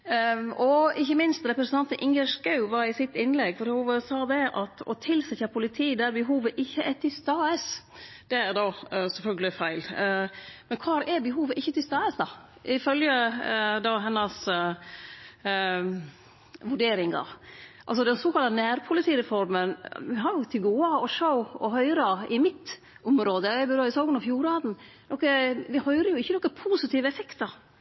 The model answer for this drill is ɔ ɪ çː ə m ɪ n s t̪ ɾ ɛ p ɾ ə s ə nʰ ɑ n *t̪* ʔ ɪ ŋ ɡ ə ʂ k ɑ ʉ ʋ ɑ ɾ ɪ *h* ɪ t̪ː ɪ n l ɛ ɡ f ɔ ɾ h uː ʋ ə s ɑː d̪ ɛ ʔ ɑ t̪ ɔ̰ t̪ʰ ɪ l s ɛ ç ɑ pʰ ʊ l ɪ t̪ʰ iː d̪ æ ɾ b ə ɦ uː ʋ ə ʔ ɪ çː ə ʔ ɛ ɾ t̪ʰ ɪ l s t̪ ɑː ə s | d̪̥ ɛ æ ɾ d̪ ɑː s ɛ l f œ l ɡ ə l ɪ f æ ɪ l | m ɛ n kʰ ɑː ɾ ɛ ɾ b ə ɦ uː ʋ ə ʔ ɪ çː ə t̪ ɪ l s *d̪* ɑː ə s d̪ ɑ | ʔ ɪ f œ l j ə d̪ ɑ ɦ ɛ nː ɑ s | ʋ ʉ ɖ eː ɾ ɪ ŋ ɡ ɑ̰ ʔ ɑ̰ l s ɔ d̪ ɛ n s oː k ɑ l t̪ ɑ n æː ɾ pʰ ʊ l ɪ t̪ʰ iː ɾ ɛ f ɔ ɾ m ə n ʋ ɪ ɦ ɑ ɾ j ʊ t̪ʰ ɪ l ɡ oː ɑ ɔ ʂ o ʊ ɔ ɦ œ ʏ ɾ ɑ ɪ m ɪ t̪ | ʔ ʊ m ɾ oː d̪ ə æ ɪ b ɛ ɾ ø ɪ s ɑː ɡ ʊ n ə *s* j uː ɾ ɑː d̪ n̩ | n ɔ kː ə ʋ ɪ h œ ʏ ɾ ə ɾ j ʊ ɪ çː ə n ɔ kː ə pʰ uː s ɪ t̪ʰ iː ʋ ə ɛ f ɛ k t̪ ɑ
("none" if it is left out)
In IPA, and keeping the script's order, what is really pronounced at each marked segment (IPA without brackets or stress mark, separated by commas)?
t̪, s, t̪, f